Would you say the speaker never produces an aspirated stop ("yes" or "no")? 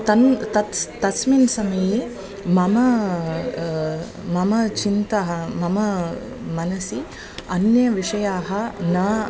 yes